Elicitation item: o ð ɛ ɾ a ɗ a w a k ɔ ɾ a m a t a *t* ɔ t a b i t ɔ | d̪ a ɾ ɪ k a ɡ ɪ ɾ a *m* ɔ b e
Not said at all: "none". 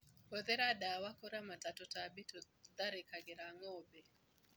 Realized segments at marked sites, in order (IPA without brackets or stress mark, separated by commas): t, ŋ